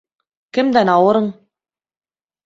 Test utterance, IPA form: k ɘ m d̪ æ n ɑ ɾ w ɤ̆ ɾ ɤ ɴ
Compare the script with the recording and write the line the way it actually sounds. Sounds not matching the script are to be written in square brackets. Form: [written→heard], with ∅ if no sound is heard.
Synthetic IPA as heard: k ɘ m d̪ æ n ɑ [ɾ→∅] w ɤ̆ ɾ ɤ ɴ

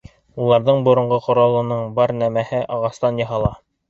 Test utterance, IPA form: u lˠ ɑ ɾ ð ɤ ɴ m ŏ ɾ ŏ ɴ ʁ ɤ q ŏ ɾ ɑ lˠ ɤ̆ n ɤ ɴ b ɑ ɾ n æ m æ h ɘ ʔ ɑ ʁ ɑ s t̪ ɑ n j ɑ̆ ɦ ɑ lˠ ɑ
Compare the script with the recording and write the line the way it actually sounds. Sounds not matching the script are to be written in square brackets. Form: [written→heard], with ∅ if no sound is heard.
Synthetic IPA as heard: u lˠ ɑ ɾ ð ɤ ɴ [m→b] ŏ ɾ ŏ ɴ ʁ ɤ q ŏ ɾ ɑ lˠ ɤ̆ n ɤ ɴ b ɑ ɾ n æ m æ h ɘ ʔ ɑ ʁ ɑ s t̪ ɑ n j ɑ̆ ɦ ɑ lˠ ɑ

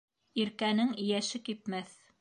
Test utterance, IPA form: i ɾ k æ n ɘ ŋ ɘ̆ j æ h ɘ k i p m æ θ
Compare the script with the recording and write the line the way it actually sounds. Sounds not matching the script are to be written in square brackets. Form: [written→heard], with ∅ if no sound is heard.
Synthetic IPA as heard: i ɾ k æ n ɘ ŋ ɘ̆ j æ [h→ʃ] ɘ k i p m æ θ

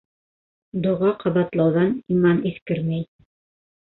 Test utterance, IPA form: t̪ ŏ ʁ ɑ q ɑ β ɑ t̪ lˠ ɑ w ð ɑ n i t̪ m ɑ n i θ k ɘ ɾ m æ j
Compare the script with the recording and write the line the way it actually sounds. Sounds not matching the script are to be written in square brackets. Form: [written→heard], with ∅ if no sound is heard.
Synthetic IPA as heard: [t̪→d̪] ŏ ʁ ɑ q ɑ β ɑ t̪ lˠ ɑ w ð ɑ n i [t̪→∅] m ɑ n i θ k ɘ ɾ m æ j

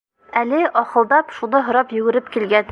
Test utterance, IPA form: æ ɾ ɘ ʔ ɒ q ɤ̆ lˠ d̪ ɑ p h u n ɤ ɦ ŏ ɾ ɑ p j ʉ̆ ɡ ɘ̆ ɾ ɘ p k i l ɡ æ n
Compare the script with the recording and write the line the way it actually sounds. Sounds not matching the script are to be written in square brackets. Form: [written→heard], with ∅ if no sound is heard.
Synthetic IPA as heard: æ [ɾ→l] ɘ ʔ ɒ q ɤ̆ lˠ d̪ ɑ p [h→ʃ] u n ɤ ɦ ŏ ɾ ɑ p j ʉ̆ ɡ ɘ̆ ɾ ɘ p k i l ɡ æ n

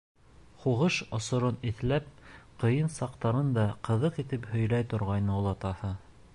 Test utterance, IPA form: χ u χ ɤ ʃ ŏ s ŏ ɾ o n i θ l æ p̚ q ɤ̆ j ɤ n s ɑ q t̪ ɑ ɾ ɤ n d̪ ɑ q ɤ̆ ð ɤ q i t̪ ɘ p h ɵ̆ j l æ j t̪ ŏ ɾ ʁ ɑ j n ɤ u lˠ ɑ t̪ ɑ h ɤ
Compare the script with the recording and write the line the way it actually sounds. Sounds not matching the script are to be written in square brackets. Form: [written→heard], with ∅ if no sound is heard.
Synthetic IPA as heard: χ u [χ→ʁ] ɤ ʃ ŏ s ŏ ɾ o n i θ l æ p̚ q ɤ̆ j ɤ n s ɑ q t̪ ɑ ɾ ɤ n d̪ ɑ q ɤ̆ ð ɤ q i t̪ ɘ p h ɵ̆ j l æ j t̪ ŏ ɾ ʁ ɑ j n ɤ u lˠ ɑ t̪ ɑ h ɤ

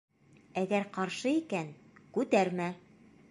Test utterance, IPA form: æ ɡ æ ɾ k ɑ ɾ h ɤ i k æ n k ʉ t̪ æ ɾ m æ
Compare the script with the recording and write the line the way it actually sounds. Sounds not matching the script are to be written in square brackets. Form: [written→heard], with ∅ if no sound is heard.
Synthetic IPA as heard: æ ɡ æ ɾ [k→q] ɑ ɾ [h→ʃ] ɤ i k æ n k ʉ t̪ æ ɾ m æ

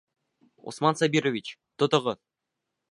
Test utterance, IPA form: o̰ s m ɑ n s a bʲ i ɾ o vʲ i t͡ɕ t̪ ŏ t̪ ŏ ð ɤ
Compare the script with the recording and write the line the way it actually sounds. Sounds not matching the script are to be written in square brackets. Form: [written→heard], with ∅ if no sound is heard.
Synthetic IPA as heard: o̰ s m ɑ n s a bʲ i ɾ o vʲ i t͡ɕ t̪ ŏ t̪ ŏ [ð→ʁ] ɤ

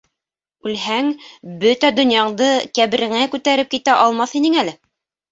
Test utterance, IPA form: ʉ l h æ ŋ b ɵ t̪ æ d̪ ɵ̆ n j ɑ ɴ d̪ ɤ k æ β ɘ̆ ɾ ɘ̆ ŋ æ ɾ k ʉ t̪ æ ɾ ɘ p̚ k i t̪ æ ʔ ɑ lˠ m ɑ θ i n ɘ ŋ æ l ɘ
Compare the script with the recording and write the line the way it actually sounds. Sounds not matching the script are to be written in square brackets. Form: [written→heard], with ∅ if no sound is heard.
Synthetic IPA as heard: ʉ l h æ ŋ b ɵ t̪ æ d̪ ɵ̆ n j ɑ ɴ d̪ ɤ k æ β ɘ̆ ɾ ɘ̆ ŋ æ [ɾ→∅] k ʉ t̪ æ ɾ ɘ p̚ k i t̪ æ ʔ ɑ lˠ m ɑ θ i n ɘ ŋ æ l ɘ

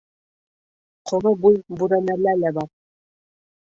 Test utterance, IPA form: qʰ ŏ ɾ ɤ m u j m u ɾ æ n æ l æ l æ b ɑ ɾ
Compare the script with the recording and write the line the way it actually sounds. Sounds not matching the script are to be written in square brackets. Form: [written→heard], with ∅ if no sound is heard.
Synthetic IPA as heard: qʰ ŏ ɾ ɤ [m→b] u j [m→b] u ɾ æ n æ l æ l æ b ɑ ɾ

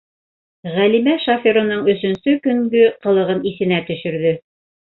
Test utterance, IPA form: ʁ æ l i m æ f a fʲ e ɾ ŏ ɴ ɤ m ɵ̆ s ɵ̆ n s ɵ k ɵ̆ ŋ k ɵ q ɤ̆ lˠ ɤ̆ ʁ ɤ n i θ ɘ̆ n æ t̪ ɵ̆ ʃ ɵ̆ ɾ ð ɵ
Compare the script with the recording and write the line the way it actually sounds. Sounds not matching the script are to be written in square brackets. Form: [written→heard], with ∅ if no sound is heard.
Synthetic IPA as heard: ʁ æ l i m æ [f→ʃ] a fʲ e ɾ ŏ [ɴ→n] ɤ [m→ɴ] ɵ̆ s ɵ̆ n s ɵ k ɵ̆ ŋ [k→ɡ] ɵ q ɤ̆ lˠ ɤ̆ ʁ ɤ n i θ ɘ̆ n æ t̪ ɵ̆ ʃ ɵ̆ ɾ ð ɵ

